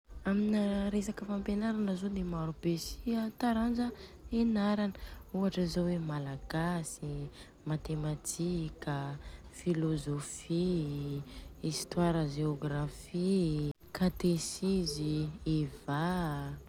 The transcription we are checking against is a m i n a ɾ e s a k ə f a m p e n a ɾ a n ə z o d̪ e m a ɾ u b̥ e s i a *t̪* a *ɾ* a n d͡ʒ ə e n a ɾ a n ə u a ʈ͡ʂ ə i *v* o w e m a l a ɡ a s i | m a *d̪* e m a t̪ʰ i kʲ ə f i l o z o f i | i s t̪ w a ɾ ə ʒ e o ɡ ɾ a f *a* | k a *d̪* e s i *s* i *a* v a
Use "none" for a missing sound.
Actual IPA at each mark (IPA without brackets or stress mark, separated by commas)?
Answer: t̪, ɾ, z, t̪, i, t̪, z, e